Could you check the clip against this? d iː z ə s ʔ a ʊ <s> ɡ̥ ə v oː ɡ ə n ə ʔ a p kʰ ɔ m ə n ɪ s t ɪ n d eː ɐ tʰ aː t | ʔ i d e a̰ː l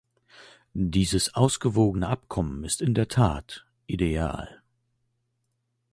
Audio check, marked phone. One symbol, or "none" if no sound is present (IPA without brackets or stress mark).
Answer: s